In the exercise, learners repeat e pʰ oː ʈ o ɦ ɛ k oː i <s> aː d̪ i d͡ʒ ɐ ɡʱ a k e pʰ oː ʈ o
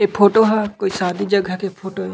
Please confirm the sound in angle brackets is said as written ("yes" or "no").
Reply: yes